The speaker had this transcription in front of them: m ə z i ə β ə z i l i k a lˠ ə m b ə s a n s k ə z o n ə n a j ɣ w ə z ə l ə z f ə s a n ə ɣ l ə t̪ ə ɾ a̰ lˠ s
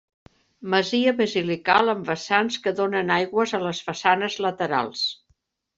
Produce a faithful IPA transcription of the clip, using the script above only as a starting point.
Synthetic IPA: m ə z i ə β ə z i l i k a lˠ ə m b ə s a n s k ə ð o n ə n a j ɣ w ə z ə l ə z f ə s a n ə z l ə t̪ ə ɾ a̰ lˠ s